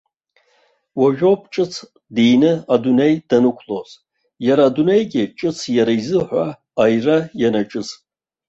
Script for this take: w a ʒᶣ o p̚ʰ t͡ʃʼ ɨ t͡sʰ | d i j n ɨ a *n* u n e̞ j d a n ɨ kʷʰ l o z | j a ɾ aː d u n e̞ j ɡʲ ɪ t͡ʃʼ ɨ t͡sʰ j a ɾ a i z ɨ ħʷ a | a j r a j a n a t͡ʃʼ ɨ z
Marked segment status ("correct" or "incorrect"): incorrect